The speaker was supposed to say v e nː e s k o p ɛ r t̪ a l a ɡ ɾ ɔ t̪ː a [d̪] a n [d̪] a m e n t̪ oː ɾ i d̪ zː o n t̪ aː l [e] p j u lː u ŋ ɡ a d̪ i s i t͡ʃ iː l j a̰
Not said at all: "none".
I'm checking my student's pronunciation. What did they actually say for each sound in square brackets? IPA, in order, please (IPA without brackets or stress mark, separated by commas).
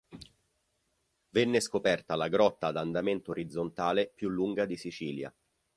d̪, d̪, e